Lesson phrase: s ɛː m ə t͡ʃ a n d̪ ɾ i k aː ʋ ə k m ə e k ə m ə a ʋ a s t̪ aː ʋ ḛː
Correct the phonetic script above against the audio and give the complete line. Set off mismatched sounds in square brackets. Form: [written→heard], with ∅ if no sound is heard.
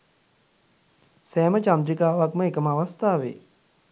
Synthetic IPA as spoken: s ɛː m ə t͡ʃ a n d̪ ɾ i k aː ʋ [ə→a] k m ə e k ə m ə a ʋ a s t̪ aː ʋ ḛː